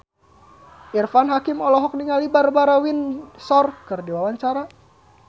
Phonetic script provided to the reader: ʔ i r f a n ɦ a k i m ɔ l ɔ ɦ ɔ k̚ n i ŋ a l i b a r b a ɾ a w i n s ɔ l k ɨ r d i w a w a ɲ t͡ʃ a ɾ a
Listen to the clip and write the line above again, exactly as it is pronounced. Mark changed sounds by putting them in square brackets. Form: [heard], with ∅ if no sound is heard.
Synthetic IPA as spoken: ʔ i r f a n ɦ a k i m ɔ l ɔ ɦ ɔ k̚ n i ŋ a l i b a r b a ɾ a w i n s ɔ [r] k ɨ r d i w a w a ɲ t͡ʃ a ɾ a